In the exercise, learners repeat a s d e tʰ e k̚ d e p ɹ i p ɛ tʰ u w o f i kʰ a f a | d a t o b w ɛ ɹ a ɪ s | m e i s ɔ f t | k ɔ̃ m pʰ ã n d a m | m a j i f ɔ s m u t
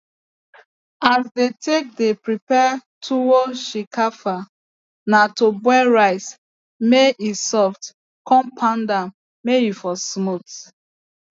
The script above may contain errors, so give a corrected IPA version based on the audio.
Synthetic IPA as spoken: a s d e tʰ e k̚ d e p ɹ i p ɛ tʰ u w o ʃ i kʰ a f a | n a t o b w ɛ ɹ a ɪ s | m e i s ɔ f t | k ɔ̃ m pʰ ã n d a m | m e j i f ɔ s m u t